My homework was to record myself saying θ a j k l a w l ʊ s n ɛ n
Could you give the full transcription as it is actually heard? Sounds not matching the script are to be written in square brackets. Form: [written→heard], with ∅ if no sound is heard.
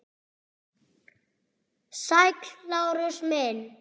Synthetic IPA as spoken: [θ→s] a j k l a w [l→ɾ] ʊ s [n→m] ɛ n